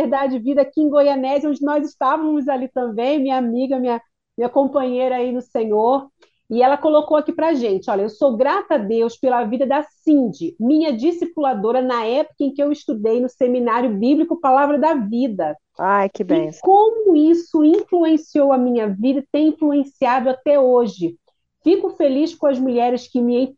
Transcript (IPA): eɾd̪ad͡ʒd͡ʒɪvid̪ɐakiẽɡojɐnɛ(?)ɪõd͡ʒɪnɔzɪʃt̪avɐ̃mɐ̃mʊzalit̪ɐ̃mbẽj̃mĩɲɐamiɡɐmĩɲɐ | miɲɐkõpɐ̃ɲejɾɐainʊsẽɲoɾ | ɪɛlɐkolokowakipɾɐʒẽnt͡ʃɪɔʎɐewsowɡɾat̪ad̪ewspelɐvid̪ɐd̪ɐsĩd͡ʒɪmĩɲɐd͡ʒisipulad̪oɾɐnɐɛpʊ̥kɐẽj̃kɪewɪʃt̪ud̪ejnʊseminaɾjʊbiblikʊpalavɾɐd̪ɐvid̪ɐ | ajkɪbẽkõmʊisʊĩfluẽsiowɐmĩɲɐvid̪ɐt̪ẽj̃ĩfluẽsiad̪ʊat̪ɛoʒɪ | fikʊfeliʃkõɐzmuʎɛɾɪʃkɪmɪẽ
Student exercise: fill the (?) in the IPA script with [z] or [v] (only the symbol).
z